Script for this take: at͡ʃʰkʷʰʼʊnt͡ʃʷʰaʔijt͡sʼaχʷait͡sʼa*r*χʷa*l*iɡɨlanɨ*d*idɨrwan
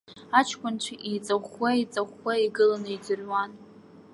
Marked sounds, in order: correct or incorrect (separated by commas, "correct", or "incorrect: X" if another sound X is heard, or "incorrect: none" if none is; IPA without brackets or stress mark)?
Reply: incorrect: none, incorrect: none, incorrect: none